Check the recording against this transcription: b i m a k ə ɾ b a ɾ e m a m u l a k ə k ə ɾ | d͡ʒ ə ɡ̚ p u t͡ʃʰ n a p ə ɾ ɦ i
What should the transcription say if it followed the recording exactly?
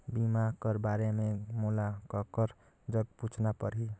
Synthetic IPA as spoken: b i m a k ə ɾ b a ɾ e m e m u l a k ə k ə ɾ | d͡ʒ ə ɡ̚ p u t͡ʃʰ n a p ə ɾ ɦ i